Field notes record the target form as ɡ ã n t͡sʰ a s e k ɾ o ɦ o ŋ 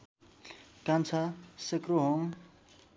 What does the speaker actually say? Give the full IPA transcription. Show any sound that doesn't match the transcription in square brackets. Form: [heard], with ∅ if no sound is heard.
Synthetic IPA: [k] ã n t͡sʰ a s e k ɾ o ɦ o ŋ